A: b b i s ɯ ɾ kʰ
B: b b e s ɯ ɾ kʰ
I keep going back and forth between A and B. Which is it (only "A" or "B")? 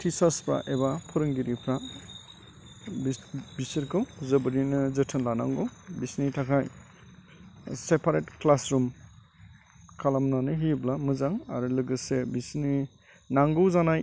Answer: A